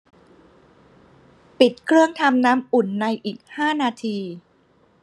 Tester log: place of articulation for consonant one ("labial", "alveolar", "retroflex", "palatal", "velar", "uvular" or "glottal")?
labial